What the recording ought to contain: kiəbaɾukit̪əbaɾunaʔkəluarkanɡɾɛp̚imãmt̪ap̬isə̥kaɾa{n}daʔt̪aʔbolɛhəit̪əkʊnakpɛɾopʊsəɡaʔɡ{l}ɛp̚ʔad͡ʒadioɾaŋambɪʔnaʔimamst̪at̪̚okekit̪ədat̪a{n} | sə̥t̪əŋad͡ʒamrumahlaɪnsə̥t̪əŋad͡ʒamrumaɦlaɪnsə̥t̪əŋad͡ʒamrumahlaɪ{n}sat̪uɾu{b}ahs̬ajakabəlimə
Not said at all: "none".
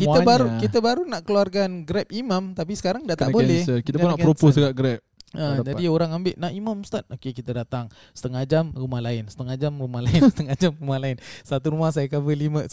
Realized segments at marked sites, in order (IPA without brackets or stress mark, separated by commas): ŋ, ɾ, ŋ, n, m